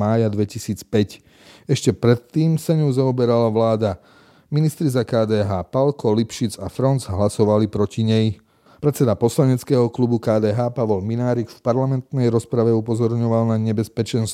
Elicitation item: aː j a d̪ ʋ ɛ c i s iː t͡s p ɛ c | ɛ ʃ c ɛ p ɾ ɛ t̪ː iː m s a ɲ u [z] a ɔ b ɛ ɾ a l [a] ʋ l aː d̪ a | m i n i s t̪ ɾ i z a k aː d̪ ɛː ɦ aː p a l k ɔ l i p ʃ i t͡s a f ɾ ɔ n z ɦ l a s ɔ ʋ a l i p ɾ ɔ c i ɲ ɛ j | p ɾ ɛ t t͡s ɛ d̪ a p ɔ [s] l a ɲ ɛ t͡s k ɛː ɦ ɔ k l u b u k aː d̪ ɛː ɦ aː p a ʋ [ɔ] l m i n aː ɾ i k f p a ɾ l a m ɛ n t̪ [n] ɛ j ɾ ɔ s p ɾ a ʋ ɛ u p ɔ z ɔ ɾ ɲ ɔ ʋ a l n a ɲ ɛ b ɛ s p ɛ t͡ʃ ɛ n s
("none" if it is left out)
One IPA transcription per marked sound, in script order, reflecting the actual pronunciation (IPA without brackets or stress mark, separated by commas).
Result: z, a, s, ɔ, n